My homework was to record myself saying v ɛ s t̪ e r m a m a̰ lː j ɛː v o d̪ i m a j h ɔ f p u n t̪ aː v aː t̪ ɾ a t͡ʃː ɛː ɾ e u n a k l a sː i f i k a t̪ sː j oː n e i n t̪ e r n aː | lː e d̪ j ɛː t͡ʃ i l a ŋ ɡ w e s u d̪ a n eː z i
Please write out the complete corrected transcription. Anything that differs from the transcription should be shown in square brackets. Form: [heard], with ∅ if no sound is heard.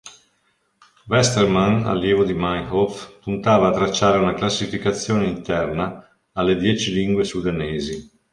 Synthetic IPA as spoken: v ɛ s t̪ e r m a [n] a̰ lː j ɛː v o d̪ i m a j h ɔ f p u n t̪ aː v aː t̪ ɾ a t͡ʃː [aː] ɾ e u n a k l a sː i f i k a t̪ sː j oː n e i n t̪ [ɛ] r n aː | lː e d̪ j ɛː t͡ʃ i l [i] ŋ ɡ w e s u d̪ a n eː z i